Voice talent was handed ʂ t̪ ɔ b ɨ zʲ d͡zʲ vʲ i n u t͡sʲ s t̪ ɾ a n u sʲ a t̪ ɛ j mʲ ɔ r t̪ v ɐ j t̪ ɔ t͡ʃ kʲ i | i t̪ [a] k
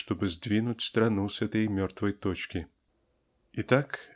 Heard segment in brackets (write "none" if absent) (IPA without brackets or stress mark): a